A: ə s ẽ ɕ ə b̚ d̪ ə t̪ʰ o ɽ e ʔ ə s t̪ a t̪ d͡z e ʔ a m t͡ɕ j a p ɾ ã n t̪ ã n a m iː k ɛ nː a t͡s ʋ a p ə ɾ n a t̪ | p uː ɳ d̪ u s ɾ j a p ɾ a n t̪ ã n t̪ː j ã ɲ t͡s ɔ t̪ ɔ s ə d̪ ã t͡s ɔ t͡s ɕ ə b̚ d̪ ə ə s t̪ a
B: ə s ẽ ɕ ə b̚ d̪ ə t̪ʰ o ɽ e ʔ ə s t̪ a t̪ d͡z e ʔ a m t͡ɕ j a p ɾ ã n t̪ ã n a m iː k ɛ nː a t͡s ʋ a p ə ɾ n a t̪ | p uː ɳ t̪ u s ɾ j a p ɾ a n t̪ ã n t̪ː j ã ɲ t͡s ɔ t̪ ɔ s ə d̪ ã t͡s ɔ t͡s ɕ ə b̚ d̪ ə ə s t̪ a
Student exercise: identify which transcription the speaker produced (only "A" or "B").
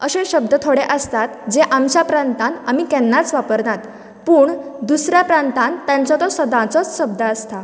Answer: A